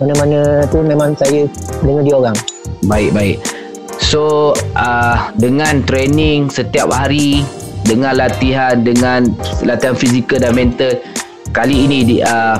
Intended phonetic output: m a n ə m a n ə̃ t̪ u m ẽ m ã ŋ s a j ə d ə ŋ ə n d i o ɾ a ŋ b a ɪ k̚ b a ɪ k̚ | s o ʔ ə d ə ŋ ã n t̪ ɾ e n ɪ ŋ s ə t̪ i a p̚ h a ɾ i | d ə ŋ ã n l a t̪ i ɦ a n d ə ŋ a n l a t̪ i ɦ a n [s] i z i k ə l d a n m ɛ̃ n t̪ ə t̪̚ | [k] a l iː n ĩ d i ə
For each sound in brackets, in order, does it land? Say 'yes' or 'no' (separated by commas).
no, yes